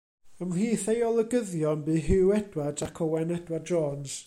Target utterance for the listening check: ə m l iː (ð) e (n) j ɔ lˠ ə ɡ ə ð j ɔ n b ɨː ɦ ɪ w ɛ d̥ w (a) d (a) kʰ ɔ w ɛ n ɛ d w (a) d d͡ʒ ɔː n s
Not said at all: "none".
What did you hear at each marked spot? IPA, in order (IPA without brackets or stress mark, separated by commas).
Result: θ, none, a, a, a